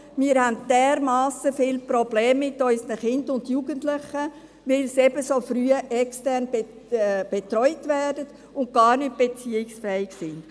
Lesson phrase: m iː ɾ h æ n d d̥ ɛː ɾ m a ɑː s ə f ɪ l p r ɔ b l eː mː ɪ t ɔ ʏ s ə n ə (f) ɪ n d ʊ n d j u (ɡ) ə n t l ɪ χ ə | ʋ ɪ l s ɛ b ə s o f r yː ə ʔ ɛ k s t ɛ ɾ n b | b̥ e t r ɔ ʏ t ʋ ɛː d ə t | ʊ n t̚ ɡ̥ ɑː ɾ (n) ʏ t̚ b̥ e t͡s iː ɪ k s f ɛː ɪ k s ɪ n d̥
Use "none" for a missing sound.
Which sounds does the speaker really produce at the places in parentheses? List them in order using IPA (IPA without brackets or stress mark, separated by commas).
χ, ɡ, n